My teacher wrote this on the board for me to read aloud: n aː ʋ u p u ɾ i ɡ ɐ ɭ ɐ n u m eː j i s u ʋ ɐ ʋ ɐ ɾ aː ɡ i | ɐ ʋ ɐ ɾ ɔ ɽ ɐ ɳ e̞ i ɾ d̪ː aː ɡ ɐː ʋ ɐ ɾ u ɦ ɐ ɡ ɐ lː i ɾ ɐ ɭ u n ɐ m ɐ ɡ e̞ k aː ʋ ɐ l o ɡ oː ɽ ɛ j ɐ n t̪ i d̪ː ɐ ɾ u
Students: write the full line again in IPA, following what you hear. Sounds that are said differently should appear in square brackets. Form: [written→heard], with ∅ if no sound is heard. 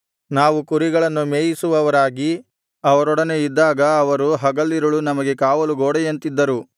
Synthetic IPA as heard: n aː ʋ u [p→k] u ɾ i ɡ ɐ ɭ ɐ [n→nː] u m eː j i s u ʋ ɐ ʋ ɐ ɾ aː ɡ i | ɐ ʋ ɐ ɾ ɔ ɽ ɐ [ɳ→n] e̞ i [ɾ→∅] d̪ː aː ɡ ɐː ʋ ɐ ɾ u ɦ ɐ ɡ ɐ lː i ɾ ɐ ɭ u n ɐ m ɐ ɡ e̞ k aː ʋ ɐ l [o→u] ɡ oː ɽ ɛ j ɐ n t̪ i d̪ː ɐ ɾ u

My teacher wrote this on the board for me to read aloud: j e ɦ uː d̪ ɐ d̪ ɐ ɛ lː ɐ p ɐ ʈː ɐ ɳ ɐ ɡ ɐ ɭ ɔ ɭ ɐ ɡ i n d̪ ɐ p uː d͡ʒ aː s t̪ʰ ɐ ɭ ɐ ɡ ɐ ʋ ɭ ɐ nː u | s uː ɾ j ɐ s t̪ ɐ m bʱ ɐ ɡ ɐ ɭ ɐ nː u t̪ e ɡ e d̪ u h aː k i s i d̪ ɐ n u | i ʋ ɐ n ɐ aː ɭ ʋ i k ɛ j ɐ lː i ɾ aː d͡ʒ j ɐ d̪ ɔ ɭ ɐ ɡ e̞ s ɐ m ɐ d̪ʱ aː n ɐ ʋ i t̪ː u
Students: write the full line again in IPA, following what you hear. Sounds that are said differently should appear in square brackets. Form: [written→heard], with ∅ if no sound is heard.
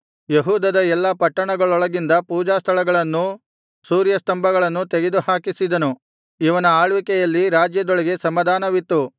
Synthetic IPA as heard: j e ɦ uː d̪ ɐ d̪ ɐ ɛ lː ɐ p ɐ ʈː ɐ ɳ ɐ ɡ ɐ ɭ ɔ ɭ ɐ ɡ i n d̪ ɐ p uː d͡ʒ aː s t̪ʰ ɐ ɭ ɐ ɡ ɐ [ʋ→∅] ɭ ɐ nː u | s uː ɾ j ɐ s t̪ ɐ m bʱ ɐ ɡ ɐ ɭ ɐ nː u t̪ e ɡ e d̪ u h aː k i s i d̪ ɐ n u | i ʋ ɐ n ɐ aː ɭ ʋ i k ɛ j ɐ lː i ɾ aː d͡ʒ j ɐ d̪ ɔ ɭ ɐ ɡ e̞ s ɐ m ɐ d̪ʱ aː n ɐ ʋ i t̪ː u

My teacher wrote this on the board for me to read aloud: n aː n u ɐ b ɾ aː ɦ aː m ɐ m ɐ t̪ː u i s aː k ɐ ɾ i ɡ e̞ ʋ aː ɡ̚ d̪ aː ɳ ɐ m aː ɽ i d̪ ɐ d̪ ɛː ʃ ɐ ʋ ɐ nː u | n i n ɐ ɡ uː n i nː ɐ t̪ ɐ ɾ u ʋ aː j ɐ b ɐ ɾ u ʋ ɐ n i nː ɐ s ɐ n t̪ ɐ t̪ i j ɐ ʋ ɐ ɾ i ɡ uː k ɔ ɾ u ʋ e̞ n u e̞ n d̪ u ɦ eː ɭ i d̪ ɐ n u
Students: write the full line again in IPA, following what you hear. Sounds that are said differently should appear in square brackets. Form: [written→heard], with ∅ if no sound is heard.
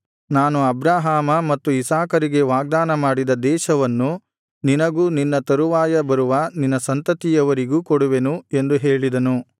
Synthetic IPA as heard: n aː n u ɐ b ɾ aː ɦ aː m ɐ m ɐ t̪ː u i s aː k ɐ ɾ i ɡ e̞ ʋ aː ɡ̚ d̪ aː [ɳ→n] ɐ m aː ɽ i d̪ ɐ d̪ ɛː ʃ ɐ ʋ ɐ nː u | n i n ɐ ɡ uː n i nː ɐ t̪ ɐ ɾ u ʋ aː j ɐ b ɐ ɾ u ʋ ɐ n i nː ɐ s ɐ n t̪ ɐ t̪ i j ɐ ʋ ɐ ɾ i ɡ uː k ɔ [ɾ→ɽ] u ʋ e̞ n u e̞ n d̪ u ɦ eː ɭ i d̪ ɐ n u

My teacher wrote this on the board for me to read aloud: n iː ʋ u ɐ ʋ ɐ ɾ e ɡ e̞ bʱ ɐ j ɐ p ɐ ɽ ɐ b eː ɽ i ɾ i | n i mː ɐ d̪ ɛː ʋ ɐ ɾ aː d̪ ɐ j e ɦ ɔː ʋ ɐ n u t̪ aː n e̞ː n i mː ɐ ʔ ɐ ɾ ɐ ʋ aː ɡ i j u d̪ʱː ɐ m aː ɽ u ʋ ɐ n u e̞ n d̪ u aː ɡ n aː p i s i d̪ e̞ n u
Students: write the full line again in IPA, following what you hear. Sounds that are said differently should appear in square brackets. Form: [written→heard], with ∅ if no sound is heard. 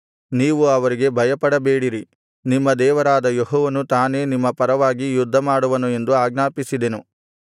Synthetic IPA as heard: n iː ʋ u ɐ ʋ ɐ ɾ [e→i] ɡ e̞ bʱ ɐ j ɐ p ɐ ɽ ɐ b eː ɽ i ɾ i | n i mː ɐ d̪ ɛː ʋ ɐ ɾ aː d̪ ɐ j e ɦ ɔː ʋ ɐ n u t̪ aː n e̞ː n i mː ɐ [ʔ→p] ɐ ɾ ɐ ʋ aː ɡ i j u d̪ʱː ɐ m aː ɽ u ʋ ɐ n u e̞ n d̪ u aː ɡ n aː p i s i d̪ e̞ n u

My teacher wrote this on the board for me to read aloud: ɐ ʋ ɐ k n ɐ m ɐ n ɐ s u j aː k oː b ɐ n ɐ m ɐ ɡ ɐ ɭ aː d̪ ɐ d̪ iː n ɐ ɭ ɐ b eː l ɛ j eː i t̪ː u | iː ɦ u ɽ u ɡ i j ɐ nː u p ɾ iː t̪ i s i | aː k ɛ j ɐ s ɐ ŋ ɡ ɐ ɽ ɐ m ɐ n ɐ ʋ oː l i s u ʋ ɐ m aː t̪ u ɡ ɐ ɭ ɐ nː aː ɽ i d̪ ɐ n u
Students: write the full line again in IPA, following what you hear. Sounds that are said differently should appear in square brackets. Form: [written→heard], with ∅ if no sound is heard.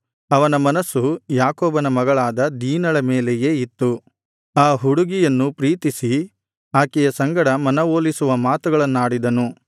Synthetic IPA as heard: ɐ ʋ ɐ [k→∅] n ɐ m ɐ n ɐ s u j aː k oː b ɐ n ɐ m ɐ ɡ ɐ ɭ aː d̪ ɐ d̪ iː n ɐ ɭ ɐ [b→m] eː l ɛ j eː i t̪ː u | [iː→aː] ɦ u ɽ u ɡ i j ɐ nː u p ɾ iː t̪ i s i | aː k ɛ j ɐ s ɐ ŋ ɡ ɐ ɽ ɐ m ɐ n ɐ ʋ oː l i s u ʋ ɐ m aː t̪ u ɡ ɐ ɭ ɐ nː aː ɽ i d̪ ɐ n u

